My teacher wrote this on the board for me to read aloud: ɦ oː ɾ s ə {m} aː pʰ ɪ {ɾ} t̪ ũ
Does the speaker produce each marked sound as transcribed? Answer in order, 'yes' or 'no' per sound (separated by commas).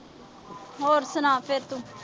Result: no, yes